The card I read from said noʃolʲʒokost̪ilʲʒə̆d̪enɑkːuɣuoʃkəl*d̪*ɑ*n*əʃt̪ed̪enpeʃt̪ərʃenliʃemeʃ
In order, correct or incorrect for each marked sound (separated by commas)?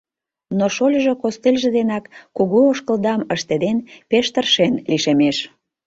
correct, incorrect